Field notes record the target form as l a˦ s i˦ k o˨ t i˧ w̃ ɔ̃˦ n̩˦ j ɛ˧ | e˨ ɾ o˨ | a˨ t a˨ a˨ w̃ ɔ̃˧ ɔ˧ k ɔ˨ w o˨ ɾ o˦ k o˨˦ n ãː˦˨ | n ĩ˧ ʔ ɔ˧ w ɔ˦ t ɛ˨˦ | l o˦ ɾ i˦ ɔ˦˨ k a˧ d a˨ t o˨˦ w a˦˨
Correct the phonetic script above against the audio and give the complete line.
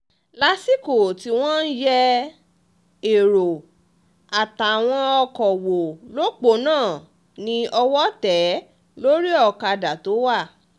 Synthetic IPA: l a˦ s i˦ k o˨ t i˧ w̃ ɔ̃˦ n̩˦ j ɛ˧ | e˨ ɾ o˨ | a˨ t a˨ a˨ w̃ ɔ̃˧ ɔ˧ k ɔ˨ w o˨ l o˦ k͡p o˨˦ n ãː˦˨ | n ĩ˧ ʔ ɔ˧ w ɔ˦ t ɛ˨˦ | l o˦ ɾ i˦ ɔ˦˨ k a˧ d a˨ t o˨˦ w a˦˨